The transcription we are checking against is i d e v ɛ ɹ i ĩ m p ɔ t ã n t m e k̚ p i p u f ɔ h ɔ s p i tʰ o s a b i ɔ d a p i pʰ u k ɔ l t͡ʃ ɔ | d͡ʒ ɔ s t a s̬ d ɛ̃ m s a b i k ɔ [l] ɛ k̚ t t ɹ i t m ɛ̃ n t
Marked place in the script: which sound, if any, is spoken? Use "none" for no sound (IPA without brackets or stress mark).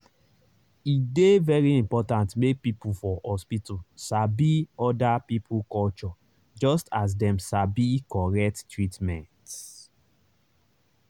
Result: ɹ